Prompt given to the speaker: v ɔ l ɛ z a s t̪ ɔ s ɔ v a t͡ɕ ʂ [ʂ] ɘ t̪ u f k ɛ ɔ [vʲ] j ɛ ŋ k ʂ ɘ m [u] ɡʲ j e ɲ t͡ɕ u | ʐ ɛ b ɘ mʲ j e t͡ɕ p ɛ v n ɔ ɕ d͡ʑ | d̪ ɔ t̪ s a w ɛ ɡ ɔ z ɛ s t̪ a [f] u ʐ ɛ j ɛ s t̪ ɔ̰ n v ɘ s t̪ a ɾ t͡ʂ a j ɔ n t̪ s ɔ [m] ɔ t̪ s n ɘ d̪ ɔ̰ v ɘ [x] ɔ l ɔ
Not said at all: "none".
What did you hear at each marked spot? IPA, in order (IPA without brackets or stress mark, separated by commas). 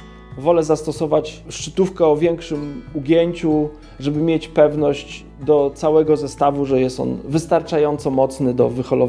t͡ʂ, vʲ, u, v, m, x